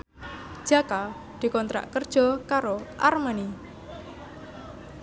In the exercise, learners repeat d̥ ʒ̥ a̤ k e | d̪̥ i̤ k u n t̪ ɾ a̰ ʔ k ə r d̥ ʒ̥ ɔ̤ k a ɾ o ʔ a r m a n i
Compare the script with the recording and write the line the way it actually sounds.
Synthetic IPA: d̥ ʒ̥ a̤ k a | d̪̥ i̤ k ɔ n t̪ ɾ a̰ ʔ k ə r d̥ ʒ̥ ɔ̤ k a ɾ o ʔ a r m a n i